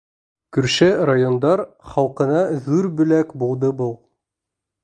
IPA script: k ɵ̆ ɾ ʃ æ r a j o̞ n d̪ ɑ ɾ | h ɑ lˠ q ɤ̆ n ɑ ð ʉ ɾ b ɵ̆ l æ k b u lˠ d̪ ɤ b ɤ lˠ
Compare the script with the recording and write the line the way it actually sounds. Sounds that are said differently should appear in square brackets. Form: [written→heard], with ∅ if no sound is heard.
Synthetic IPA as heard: k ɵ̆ ɾ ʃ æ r a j o̞ n d̪ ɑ ɾ | [h→χ] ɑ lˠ q ɤ̆ n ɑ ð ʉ ɾ b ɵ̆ l æ k b u lˠ d̪ ɤ b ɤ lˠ